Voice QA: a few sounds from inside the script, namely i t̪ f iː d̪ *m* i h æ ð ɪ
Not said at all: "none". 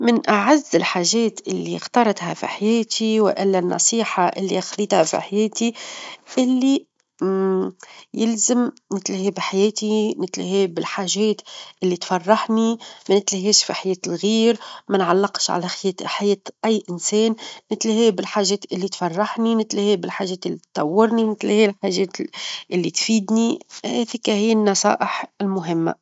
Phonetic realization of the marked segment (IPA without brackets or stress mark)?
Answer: n